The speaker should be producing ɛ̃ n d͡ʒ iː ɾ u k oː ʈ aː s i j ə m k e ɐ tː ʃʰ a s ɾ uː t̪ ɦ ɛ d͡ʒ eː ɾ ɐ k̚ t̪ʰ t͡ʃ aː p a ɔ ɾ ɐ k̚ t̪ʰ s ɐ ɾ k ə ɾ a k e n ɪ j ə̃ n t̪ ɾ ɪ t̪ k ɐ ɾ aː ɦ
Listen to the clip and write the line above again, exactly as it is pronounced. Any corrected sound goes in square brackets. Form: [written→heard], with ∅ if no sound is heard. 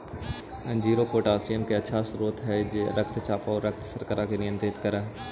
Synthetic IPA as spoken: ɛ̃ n d͡ʒ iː ɾ [u→o] k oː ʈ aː s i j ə m k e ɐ tː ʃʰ a s ɾ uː t̪ ɦ ɛ d͡ʒ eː ɾ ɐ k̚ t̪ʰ t͡ʃ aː p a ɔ ɾ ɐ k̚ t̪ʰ s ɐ ɾ k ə ɾ a k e n ɪ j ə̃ n t̪ ɾ ɪ t̪ k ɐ ɾ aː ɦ